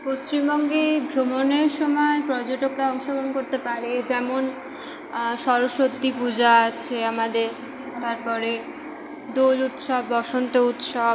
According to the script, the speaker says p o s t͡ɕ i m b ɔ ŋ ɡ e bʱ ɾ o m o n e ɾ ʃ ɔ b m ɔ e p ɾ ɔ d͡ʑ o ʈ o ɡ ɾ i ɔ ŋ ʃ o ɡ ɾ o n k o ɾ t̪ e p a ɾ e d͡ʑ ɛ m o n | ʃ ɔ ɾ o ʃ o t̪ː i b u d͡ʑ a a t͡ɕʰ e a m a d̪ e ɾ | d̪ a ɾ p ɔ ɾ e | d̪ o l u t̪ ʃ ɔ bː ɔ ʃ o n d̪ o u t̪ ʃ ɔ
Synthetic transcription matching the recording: p o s t͡ɕ i m b ɔ ŋ ɡ e bʱ ɾ o m o n e ɾ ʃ ɔ m ɔ e p ɾ ɔ d͡ʑ o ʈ o k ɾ a ɔ ŋ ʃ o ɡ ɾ o n k o ɾ t̪ e p a ɾ e d͡ʑ ɛ m o n | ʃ ɔ ɾ o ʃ o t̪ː i p u d͡ʑ a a t͡ɕʰ e a m a d̪ e ɾ | t̪ a ɾ p ɔ ɾ e | d̪ o l u t̪ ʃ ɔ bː ɔ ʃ o n t̪ o u t̪ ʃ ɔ